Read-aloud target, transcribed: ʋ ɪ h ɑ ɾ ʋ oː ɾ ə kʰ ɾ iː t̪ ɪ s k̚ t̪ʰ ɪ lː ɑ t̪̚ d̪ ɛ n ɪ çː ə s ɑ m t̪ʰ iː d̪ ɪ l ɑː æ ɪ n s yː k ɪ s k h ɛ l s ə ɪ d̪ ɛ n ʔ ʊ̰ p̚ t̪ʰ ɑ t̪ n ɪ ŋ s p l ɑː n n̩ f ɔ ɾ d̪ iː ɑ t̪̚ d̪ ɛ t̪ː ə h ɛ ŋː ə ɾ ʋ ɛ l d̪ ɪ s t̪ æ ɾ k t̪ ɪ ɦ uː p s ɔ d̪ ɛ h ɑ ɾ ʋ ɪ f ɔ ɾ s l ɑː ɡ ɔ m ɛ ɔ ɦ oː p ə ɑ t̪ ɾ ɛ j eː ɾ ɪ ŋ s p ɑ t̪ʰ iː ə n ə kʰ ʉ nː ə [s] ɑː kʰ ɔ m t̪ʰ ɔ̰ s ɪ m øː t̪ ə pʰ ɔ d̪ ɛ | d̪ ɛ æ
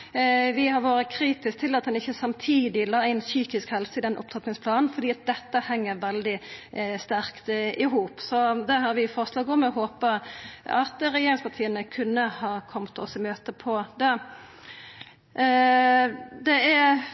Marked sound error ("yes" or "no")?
yes